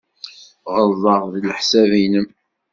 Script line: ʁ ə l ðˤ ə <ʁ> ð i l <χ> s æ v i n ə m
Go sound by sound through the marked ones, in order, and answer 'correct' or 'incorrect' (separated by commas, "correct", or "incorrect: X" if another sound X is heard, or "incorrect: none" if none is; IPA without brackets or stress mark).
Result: correct, incorrect: ħ